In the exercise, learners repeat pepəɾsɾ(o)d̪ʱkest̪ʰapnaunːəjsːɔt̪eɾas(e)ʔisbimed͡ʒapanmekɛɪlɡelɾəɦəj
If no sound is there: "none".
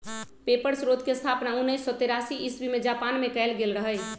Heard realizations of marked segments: o, i

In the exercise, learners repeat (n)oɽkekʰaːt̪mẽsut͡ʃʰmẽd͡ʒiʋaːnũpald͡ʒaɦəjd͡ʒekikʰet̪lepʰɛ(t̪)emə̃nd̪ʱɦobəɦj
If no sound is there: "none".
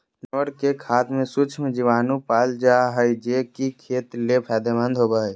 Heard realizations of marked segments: n, d̪

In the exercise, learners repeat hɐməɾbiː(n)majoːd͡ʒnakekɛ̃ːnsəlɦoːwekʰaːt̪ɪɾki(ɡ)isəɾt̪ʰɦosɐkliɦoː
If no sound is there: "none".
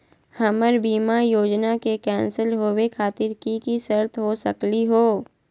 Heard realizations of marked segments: none, k

